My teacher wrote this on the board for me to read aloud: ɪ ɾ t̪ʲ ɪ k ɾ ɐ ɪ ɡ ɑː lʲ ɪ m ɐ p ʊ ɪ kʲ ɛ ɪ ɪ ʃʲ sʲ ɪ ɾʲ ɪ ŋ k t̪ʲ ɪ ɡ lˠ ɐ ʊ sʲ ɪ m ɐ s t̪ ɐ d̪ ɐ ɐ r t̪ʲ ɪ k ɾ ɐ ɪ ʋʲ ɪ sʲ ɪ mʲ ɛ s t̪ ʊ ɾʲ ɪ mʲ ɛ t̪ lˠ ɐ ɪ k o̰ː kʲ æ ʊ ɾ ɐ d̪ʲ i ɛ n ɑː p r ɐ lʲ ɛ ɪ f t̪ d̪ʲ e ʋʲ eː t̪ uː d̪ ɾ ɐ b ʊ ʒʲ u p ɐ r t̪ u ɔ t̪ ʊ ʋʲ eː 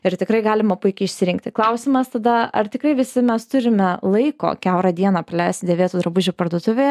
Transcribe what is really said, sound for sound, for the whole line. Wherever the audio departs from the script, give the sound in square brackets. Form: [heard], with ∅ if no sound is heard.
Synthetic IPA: ɪ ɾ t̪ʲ ɪ k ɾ ɐ ɪ ɡ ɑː lʲ ɪ m ɐ p ʊ ɪ kʲ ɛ ɪ ɪ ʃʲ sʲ ɪ ɾʲ ɪ ŋ k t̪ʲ ɪ [k] lˠ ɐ ʊ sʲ ɪ m ɐ s t̪ ɐ d̪ ɐ ɐ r t̪ʲ ɪ k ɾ ɐ ɪ ʋʲ ɪ sʲ ɪ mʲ ɛ s t̪ ʊ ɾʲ ɪ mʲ ɛ [∅] lˠ ɐ ɪ k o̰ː kʲ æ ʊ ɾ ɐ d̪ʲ i ɛ n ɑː p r ɐ lʲ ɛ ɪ [s] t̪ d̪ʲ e ʋʲ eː t̪ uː d̪ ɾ ɐ b ʊ ʒʲ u p ɐ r [d̪] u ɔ t̪ ʊ ʋʲ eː